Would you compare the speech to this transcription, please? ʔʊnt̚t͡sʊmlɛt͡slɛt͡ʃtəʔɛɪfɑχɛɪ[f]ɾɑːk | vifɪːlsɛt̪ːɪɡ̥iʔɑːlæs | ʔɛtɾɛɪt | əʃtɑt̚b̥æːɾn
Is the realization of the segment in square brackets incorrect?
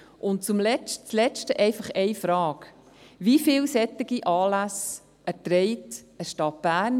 no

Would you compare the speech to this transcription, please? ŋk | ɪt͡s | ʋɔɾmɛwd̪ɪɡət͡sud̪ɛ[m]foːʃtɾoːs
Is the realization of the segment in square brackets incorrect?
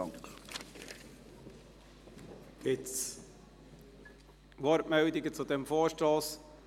no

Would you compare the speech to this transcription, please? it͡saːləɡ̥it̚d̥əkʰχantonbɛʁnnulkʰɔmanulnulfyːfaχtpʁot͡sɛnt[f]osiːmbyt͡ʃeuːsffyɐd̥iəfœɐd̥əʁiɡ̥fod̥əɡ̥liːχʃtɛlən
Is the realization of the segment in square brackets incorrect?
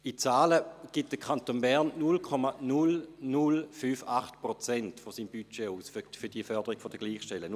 no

